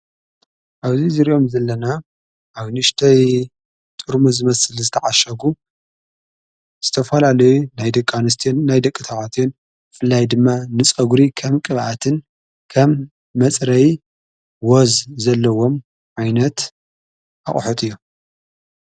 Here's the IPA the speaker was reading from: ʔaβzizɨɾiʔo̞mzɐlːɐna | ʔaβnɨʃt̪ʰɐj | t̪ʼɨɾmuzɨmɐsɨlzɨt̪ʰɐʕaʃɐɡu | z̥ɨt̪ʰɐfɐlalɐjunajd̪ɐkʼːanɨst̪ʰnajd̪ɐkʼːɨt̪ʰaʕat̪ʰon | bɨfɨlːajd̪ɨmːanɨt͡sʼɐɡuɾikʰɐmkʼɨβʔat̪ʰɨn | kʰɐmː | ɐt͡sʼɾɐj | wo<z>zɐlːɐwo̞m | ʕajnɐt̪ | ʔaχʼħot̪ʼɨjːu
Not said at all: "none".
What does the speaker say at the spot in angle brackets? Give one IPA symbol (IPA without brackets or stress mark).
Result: z